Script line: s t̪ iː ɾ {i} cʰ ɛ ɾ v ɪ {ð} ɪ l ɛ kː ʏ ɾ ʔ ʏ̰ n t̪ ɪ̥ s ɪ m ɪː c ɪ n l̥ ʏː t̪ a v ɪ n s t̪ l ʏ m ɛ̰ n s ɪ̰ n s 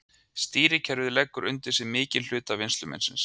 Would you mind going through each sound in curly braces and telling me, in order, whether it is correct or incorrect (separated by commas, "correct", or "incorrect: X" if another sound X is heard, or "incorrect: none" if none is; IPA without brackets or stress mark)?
incorrect: ɪ, correct